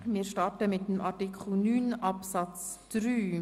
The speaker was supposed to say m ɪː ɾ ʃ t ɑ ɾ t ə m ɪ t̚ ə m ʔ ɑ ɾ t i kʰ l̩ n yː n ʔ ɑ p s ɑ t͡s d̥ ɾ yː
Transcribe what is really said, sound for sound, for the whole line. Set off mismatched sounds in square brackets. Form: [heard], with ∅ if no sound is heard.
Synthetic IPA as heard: m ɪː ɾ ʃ t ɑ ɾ t ə m ɪ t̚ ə m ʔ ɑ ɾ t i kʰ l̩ n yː n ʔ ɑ p s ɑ t͡s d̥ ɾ yː